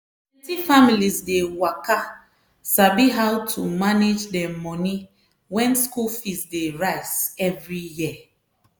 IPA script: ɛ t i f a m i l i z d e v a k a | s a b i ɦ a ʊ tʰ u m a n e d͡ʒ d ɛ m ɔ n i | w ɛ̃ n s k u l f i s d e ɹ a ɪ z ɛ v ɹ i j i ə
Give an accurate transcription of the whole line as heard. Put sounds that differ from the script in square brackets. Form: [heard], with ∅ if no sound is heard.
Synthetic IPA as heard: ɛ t i f a m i l i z d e [w] a k a | s a b i ɦ a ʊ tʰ u m a n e d͡ʒ d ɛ m ɔ n i | w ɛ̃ n s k u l f i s d e ɹ a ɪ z ɛ v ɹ i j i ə

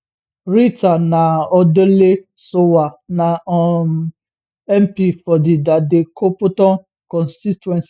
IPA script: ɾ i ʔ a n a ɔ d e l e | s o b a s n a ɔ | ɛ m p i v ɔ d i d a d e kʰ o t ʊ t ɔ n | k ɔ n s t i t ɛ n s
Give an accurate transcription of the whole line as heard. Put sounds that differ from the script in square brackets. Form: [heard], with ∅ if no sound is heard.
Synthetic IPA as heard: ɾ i [t] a n a ɔ d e l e | s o [w] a [∅] n a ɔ | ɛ m p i [f] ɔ d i d a d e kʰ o [p] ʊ t ɔ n | k ɔ n s t i t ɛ n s

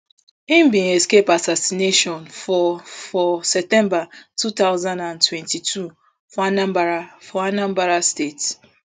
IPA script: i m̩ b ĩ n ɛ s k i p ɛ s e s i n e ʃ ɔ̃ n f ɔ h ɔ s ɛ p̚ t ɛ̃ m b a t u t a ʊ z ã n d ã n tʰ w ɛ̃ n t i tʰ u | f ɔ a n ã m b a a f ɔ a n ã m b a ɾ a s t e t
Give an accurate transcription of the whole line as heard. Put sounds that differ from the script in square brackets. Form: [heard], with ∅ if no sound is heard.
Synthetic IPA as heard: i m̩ b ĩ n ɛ s k [e] p [a] s [a] s i n e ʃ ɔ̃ n f ɔ [f] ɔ s ɛ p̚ t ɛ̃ m b a t u t a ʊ z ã n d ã n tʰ w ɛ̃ n t i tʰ u | f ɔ a n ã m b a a f ɔ a n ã m b a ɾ a s t e t

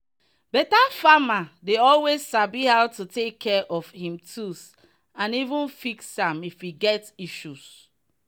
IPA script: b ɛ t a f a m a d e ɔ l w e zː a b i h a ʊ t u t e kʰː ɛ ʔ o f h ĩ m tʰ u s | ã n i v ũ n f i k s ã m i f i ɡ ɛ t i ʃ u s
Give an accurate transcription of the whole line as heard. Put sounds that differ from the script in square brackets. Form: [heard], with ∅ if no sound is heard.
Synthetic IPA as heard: b ɛ t a f a m a d e ɔ l w e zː a b i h a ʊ t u t e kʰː ɛ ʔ [ɔ] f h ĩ m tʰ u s | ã n i v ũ n f i k s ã m i f i ɡ ɛ t i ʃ u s

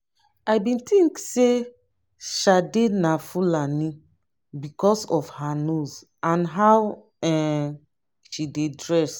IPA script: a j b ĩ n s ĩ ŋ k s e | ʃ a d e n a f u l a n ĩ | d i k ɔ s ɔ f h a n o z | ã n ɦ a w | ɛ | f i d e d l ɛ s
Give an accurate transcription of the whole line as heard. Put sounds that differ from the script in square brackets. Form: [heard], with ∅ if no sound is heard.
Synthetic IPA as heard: a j b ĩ n [t] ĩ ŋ k s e | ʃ a d e n a f u l a n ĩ | [b] i k ɔ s ɔ f h a n o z | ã n ɦ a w | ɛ | [ʃ] i d e d [ɹ] ɛ s

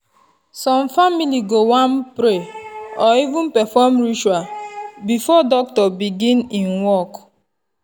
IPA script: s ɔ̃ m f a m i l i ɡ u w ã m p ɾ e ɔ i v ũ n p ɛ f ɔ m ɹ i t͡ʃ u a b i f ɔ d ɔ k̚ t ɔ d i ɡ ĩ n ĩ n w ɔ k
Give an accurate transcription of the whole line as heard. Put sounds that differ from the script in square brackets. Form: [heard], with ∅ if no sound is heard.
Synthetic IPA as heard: s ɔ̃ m f a m i l i ɡ [o] w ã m p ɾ e ɔ i v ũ n p ɛ f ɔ m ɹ i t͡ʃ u a b i f ɔ d ɔ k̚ t ɔ [b] i ɡ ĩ n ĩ n w ɔ k

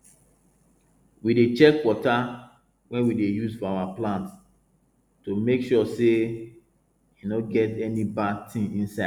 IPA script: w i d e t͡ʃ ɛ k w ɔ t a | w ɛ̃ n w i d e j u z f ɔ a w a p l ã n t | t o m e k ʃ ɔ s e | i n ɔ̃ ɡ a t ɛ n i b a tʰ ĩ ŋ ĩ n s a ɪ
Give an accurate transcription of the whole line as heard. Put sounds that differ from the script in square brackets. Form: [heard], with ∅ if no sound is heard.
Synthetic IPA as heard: w i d e t͡ʃ ɛ k w ɔ t a | w ɛ̃ n w i d e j u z f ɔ a w a p l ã n t | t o m e k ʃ ɔ s e | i n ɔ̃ ɡ [ɛ] t ɛ n i b a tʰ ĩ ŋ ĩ n s a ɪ

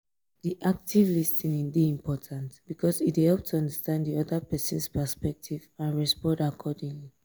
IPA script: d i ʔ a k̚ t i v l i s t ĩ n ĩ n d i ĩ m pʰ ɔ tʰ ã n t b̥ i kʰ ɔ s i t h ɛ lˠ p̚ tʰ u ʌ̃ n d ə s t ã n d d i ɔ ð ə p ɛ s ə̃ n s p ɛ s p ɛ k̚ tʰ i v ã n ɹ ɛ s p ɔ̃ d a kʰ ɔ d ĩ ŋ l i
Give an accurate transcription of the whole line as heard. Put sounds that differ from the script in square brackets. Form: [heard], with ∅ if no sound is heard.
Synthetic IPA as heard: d i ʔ a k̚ t i v l i s t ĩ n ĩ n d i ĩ m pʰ ɔ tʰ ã n t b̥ i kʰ ɔ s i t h ɛ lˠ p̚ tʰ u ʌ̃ n d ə s t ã n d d i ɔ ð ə p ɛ s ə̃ n s p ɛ s p ɛ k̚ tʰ i v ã n ɹ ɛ s p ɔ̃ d a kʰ ɔ d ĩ ŋ l i

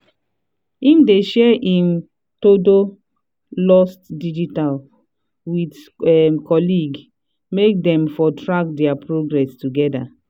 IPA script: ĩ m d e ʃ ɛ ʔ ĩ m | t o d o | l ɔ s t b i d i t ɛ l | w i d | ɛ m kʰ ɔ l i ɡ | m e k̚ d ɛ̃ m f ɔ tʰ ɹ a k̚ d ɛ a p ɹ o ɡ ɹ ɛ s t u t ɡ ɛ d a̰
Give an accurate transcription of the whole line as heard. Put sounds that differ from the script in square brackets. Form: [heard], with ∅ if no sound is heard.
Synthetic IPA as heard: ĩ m d e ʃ ɛ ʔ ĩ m | t o d o | l ɔ s t [d] i [d͡ʒ] i t [a] l | w i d | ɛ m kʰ ɔ l i ɡ | m e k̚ d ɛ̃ m f ɔ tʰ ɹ a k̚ d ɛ a p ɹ o ɡ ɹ ɛ s t u [∅] ɡ ɛ d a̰

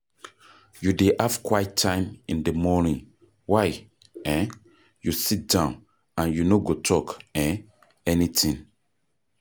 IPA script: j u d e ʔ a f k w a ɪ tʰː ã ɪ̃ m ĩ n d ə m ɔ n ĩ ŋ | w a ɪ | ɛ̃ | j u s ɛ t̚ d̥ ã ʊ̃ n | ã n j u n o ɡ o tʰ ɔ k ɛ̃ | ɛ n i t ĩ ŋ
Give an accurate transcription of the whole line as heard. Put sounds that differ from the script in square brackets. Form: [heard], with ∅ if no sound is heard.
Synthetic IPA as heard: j u d e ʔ a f k w a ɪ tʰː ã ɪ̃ m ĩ n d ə m ɔ n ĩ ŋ | w a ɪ | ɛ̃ | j u s [i] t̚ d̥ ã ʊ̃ n | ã n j u n o ɡ o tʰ ɔ k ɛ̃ | ɛ n i t ĩ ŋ

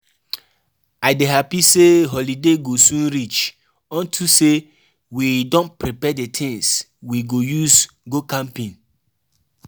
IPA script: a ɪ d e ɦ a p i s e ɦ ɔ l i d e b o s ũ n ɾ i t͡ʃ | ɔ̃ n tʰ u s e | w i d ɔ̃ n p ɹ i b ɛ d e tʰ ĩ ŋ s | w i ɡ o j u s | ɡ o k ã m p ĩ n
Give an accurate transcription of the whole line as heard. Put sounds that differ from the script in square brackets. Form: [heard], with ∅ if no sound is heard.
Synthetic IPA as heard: a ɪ d e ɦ a p i s e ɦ ɔ l i d e [ɡ] o s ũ n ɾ i t͡ʃ | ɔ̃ n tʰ u s e | w i d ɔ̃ n p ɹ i [p] ɛ d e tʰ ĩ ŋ s | w i ɡ o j u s | ɡ o k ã m p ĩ n

